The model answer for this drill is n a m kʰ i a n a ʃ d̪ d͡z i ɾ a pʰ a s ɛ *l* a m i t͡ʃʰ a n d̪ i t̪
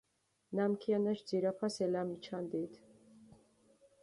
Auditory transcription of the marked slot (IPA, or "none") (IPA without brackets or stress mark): l